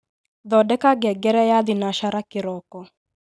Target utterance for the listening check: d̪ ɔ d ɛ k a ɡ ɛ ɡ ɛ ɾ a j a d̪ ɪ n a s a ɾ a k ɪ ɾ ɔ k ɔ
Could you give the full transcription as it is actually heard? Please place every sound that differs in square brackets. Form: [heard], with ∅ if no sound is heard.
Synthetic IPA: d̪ ɔ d ɛ k a ɡ ɛ ɡ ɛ ɾ [ɛ] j a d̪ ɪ n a [ʃ] a ɾ a k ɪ ɾ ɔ k ɔ

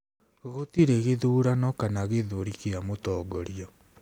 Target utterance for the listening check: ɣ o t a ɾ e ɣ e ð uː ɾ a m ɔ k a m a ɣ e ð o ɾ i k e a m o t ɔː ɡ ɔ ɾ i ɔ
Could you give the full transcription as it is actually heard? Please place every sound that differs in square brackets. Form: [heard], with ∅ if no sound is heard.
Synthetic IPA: ɣ o t [i] ɾ e ɣ e ð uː ɾ a [n] ɔ k a [n] a ɣ e ð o ɾ i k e a m o t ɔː ɡ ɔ ɾ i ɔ

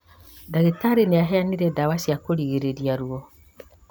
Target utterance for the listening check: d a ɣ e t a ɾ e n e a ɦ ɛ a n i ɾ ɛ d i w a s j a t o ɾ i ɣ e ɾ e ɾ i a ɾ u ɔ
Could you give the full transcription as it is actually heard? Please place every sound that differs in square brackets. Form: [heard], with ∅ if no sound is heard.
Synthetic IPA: d a ɣ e t a ɾ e n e a ɦ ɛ a n i ɾ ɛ d [a] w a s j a [k] o ɾ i ɣ e ɾ e ɾ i a ɾ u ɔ

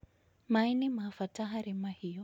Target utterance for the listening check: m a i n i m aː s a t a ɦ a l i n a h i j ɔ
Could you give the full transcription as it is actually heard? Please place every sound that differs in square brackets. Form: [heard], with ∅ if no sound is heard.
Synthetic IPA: m a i n i m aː [f] a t a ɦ a [ɾ] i [m] a h i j ɔ

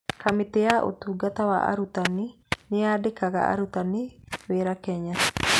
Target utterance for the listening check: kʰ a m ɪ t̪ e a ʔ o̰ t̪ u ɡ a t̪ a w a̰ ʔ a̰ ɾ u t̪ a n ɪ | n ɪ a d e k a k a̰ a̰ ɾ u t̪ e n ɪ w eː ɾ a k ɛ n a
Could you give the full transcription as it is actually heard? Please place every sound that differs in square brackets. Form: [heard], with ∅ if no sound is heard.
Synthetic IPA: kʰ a m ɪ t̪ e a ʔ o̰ t̪ u ɡ a t̪ a w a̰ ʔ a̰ ɾ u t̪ a n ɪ | n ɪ a d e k a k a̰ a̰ ɾ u t̪ [a] n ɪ w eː ɾ a k ɛ [ɲ] a

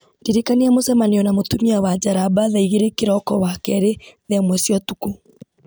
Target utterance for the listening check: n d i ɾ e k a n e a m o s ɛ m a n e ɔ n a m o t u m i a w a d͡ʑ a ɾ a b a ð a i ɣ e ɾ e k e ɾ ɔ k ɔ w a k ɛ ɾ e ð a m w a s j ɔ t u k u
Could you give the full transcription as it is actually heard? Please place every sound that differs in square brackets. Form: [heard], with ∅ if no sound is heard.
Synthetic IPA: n d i ɾ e k a n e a m o s ɛ m a n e ɔ n a m o t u m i a w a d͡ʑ a ɾ a b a ð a i ɣ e ɾ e k e ɾ ɔ k ɔ w a k ɛ ɾ e ð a m w [ɛ] s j ɔ t u k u

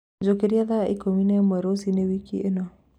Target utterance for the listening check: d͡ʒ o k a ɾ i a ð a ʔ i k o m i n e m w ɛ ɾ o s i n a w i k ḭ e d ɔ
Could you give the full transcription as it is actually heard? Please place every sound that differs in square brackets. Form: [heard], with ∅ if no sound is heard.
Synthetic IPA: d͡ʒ o k [e] ɾ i a ð a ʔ i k o m i n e m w ɛ ɾ o s i n [e] w i k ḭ e [n] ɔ

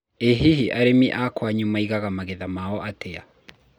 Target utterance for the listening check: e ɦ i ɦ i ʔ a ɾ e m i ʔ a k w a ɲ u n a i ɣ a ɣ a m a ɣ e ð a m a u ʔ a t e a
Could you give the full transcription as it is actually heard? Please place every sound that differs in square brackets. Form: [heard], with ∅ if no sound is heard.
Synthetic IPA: e ɦ i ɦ i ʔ a ɾ e m i ʔ a k w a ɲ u [m] a i ɣ a ɣ a m a ɣ e ð a m a [ɔ] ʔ a t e a

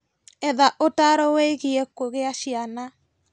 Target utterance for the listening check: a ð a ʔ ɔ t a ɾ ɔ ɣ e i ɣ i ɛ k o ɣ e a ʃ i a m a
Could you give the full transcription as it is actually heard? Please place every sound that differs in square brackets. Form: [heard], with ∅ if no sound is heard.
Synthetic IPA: [ɛ] ð a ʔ [o] t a ɾ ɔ [w] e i ɣ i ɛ k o ɣ e a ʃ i a [n] a

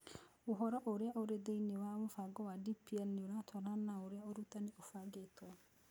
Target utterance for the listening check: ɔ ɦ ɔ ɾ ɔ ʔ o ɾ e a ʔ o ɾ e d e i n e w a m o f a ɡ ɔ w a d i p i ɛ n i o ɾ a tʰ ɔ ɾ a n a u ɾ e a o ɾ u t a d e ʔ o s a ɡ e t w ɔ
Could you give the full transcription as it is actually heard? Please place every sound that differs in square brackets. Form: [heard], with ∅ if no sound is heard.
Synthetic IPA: [o] ɦ ɔ ɾ ɔ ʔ o ɾ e a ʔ o ɾ e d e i n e w a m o f a ɡ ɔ w a d i p i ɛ n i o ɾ a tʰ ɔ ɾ a n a [o] ɾ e a o ɾ u t a [n] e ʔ o [f] a ɡ e t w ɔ

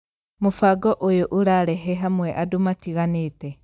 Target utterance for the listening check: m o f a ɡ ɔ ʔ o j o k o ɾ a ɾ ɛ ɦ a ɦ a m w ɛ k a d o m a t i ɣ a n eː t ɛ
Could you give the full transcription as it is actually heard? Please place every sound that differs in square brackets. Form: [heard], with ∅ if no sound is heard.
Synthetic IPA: m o f a ɡ ɔ ʔ o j o [ʔ] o ɾ a ɾ ɛ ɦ [ɛ] ɦ a m w ɛ [ʔ] a d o m a t i ɣ a n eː t ɛ

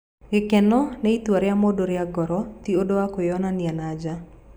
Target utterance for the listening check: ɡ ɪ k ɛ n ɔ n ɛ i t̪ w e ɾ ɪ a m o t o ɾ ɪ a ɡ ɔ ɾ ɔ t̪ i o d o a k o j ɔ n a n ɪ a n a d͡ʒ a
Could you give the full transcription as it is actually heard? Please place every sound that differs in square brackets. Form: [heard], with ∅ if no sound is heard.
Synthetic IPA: ɡ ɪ k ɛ n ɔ n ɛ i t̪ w [a] ɾ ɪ a m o [d] o ɾ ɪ a ɡ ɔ ɾ ɔ t̪ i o d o a k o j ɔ n a n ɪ a n a d͡ʒ a

